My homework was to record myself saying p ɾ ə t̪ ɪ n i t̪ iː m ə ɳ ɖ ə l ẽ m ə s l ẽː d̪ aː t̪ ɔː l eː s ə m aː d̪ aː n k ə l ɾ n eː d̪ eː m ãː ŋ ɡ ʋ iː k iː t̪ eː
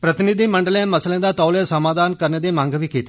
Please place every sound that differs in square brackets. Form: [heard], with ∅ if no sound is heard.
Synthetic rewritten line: p ɾ ə t̪ ɪ n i [d̪] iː m ə ɳ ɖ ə l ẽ m ə s l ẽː d̪ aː t̪ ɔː l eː s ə m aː d̪ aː n k ə [∅] ɾ n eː d̪ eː m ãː ŋ ɡ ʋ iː k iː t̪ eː